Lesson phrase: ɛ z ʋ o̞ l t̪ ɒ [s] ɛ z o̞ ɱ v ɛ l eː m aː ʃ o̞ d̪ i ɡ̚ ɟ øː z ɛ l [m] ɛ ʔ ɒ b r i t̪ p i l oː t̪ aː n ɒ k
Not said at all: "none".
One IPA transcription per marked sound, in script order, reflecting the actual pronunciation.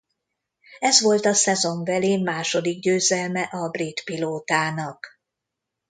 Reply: s, m

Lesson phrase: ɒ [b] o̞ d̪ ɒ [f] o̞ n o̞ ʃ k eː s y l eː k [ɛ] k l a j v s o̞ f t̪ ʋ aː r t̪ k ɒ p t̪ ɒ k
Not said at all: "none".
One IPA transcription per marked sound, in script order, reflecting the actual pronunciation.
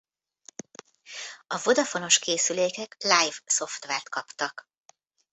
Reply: v, f, ɛ

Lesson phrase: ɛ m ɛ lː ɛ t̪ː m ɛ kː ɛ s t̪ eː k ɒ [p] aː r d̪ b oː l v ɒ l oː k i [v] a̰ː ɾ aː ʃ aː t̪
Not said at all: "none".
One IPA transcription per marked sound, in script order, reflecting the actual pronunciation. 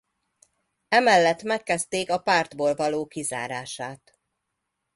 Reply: p, z

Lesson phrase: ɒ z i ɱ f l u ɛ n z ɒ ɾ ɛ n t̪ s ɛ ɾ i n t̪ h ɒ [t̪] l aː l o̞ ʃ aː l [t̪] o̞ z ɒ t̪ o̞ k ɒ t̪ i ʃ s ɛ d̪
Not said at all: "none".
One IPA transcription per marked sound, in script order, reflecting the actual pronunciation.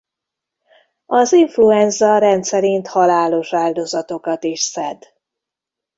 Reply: none, d̪

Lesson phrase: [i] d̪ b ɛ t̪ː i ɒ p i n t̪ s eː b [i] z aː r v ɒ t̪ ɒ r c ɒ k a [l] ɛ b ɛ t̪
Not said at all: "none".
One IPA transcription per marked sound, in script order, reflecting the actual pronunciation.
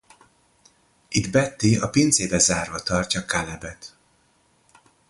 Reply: i, ɛ, l

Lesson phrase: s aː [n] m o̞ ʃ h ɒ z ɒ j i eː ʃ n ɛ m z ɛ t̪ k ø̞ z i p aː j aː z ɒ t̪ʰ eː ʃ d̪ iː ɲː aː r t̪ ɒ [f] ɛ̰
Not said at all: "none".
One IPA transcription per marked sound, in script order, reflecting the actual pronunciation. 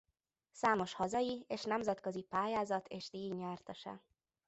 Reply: none, ʃ

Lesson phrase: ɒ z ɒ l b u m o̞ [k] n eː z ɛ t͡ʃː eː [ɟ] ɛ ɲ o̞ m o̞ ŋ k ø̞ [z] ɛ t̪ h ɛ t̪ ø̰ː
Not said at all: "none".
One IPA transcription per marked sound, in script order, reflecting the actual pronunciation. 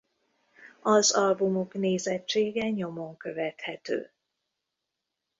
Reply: k, ɡ, v

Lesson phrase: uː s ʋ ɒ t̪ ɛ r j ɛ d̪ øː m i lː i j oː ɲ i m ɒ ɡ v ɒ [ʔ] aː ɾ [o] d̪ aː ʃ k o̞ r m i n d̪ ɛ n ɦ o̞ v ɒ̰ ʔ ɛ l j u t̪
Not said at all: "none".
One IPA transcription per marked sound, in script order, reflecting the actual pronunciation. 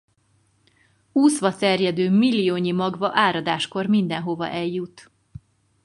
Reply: ʔ, ɒ

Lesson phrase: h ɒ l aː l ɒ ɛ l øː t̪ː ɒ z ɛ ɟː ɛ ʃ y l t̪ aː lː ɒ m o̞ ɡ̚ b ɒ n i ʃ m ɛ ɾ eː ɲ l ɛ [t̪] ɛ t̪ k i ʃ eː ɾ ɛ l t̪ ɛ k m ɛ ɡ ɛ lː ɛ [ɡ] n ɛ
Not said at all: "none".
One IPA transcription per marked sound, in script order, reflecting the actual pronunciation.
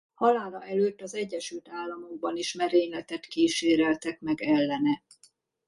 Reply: t̪, none

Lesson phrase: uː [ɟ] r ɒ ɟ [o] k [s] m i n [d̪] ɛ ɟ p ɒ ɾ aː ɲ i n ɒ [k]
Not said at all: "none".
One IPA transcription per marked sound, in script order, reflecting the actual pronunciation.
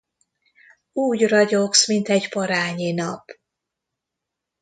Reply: ɟ, o, s, t̪, p

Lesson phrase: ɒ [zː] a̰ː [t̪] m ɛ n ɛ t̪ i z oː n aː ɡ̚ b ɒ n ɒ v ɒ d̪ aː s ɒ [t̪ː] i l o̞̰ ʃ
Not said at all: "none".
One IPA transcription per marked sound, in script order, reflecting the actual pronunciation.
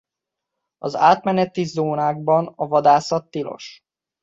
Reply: z, t̪, t̪ː

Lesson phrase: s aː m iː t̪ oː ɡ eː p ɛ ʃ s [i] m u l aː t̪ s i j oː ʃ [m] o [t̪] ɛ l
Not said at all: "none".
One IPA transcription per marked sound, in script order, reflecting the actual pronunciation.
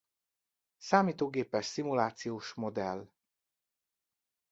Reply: i, m, d̪

